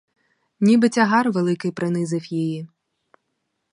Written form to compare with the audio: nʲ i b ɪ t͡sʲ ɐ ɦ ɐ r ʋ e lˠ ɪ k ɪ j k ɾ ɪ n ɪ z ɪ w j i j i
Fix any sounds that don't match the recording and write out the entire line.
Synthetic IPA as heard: nʲ i b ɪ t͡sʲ ɐ ɦ ɑ r ʋ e lˠ ɪ k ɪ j p ɾ ɪ n ɪ z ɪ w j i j i